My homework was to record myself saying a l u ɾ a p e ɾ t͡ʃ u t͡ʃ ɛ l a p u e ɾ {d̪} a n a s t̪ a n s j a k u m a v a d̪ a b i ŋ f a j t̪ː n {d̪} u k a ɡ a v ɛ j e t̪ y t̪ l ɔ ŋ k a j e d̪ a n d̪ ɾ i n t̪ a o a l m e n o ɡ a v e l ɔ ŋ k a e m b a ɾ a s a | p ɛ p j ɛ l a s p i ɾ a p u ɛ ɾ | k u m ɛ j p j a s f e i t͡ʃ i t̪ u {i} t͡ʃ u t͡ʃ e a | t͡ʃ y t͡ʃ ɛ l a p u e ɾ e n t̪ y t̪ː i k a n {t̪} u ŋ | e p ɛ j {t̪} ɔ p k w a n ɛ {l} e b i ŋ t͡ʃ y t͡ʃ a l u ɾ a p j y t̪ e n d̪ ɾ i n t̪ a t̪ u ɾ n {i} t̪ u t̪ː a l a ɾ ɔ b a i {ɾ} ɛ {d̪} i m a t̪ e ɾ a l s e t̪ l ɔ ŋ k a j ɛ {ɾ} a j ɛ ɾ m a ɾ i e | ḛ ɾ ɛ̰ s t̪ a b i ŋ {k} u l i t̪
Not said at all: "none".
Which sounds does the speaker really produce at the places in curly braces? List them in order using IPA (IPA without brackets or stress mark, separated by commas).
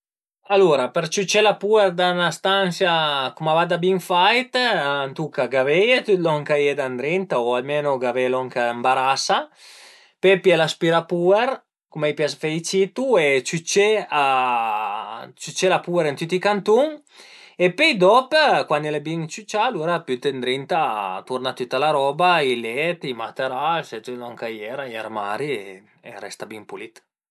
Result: d̪, t̪, e, t̪, d̪, l, a, l, t̪, ɾ, p